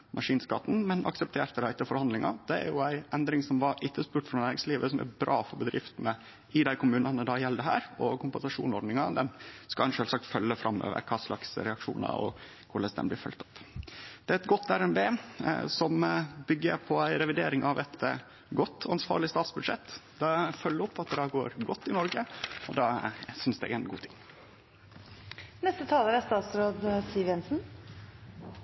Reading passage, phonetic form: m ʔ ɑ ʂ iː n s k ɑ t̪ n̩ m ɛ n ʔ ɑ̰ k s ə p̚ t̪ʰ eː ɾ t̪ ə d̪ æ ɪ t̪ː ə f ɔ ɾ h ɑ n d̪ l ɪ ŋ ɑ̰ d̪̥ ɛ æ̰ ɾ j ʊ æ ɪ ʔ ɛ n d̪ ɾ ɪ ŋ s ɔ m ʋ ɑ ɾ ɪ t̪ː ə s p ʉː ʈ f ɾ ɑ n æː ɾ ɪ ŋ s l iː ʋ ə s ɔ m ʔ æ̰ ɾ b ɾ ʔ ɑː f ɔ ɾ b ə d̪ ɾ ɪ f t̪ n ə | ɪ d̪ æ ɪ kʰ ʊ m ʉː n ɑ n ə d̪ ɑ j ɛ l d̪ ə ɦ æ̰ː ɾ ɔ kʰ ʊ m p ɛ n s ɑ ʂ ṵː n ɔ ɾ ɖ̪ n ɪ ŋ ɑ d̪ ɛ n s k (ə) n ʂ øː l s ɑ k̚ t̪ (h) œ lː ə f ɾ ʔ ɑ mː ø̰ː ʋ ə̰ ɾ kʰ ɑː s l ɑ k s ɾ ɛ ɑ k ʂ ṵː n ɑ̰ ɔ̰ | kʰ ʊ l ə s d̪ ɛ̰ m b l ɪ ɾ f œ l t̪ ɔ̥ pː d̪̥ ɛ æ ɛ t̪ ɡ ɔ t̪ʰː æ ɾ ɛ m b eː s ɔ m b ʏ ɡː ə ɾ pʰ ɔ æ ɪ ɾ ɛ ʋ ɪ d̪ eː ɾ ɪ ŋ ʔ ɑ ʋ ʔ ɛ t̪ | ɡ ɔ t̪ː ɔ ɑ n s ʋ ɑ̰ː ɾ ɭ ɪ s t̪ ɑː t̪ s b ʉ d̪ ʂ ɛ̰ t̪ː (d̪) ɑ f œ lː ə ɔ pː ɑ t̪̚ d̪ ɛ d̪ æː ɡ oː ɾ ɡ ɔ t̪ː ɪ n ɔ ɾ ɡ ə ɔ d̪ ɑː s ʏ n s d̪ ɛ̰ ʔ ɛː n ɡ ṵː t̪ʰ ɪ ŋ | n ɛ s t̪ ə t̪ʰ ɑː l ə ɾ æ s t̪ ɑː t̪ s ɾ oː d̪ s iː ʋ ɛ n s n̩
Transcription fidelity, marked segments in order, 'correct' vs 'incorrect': incorrect: ɑ, incorrect: f, correct

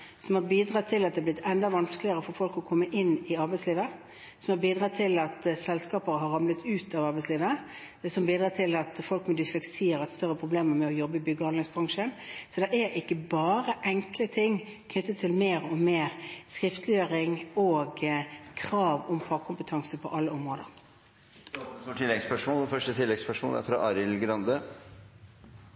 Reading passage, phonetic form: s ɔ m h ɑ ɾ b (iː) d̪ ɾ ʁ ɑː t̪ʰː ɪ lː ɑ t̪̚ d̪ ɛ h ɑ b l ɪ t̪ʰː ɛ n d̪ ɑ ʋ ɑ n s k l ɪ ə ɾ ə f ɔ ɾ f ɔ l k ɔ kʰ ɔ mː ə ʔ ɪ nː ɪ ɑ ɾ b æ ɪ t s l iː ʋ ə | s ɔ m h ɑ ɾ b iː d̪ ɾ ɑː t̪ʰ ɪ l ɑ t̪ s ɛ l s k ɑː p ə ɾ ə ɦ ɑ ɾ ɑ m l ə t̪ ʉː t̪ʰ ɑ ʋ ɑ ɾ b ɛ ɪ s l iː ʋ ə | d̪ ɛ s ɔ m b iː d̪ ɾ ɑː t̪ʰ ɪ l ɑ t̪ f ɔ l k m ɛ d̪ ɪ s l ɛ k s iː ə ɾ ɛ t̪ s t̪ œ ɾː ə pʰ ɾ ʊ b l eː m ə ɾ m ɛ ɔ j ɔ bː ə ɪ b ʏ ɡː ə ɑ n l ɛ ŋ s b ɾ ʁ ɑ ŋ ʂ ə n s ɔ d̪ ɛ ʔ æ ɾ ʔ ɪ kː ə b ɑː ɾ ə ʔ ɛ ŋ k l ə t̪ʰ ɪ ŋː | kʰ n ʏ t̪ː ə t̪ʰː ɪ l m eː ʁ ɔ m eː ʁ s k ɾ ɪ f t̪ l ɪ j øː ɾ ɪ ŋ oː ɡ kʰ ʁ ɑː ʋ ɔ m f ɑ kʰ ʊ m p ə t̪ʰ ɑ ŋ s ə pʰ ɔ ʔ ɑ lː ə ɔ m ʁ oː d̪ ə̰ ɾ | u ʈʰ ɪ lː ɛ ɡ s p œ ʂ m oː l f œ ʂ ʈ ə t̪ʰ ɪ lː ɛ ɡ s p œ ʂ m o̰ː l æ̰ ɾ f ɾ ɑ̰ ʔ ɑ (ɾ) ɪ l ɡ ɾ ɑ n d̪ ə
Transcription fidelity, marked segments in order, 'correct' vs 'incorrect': correct, correct

